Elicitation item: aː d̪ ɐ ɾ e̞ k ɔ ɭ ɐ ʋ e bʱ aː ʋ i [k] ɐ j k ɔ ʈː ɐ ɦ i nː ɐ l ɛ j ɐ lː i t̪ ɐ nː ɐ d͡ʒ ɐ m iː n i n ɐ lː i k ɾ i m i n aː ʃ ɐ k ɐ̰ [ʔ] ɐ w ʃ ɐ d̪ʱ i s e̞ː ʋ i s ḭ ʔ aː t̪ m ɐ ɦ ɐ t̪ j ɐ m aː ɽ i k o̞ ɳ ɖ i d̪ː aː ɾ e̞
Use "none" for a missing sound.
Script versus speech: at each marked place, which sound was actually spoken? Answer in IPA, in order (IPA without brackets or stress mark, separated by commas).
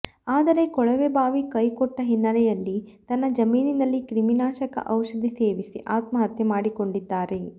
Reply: k, ʔ